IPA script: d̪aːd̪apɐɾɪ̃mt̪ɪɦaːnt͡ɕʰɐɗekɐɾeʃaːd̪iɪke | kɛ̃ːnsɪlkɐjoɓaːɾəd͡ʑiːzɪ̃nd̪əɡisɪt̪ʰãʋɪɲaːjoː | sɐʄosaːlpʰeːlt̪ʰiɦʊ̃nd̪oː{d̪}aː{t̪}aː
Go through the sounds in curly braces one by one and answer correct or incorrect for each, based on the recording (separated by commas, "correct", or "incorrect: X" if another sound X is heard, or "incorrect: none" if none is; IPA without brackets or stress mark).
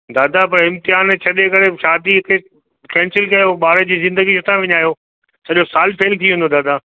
correct, incorrect: d̪